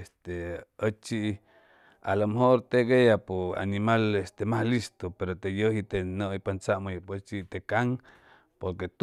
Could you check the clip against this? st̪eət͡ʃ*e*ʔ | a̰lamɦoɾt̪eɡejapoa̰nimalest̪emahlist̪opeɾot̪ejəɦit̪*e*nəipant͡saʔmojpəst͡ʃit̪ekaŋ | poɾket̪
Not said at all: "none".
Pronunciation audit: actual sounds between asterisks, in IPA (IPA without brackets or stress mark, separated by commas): i, e